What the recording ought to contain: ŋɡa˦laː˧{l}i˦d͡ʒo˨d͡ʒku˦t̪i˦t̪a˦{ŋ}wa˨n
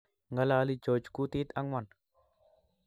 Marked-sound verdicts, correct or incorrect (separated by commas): correct, correct